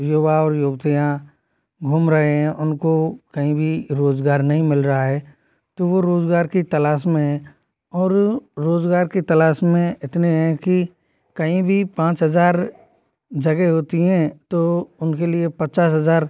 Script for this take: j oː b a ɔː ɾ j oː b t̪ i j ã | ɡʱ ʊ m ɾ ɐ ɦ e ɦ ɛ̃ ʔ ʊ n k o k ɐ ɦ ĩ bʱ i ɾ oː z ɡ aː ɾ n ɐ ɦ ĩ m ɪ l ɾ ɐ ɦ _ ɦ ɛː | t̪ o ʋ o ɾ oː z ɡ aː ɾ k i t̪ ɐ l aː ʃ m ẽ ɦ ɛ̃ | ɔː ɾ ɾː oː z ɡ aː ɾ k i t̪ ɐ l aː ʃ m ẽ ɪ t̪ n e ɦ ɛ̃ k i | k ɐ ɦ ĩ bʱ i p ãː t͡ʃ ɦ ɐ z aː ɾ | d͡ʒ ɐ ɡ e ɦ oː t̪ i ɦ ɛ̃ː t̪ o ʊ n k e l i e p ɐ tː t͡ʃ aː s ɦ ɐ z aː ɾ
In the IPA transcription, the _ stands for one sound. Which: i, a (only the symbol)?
a